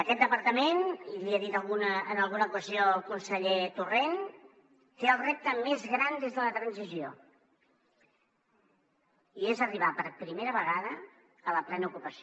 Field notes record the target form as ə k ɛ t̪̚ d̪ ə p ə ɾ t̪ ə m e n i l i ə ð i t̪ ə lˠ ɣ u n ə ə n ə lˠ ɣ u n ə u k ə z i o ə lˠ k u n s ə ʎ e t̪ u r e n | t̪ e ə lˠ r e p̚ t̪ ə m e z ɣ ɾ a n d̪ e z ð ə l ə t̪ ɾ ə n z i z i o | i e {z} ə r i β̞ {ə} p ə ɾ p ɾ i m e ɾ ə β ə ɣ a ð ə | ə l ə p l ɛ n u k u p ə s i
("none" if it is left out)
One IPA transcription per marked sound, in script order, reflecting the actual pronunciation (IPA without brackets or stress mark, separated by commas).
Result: z, a